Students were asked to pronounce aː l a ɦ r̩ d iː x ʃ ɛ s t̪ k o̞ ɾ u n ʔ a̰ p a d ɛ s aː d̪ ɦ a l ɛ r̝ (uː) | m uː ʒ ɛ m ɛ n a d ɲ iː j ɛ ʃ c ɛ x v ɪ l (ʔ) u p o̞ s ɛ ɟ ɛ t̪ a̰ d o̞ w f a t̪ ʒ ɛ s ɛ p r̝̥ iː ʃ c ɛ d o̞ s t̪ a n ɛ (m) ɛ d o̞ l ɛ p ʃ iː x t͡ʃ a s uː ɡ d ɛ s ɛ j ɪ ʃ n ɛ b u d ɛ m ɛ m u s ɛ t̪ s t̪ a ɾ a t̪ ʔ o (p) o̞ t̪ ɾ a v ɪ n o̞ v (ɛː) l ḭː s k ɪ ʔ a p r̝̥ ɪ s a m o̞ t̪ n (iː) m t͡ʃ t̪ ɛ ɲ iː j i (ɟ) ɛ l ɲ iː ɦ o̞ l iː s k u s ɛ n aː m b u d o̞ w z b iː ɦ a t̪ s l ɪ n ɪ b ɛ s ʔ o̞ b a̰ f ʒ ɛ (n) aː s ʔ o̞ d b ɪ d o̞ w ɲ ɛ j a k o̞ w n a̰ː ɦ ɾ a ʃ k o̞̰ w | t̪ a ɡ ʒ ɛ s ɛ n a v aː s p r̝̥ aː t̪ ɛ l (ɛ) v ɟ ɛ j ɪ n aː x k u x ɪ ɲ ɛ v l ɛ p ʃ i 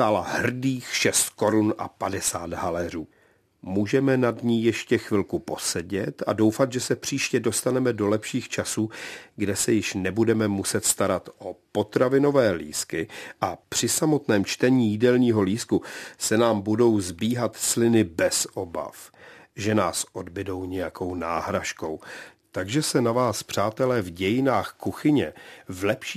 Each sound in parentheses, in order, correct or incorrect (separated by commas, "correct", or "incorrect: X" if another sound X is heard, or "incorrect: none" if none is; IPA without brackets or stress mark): correct, incorrect: k, correct, correct, correct, incorrect: ɛː, incorrect: d, correct, incorrect: ɛː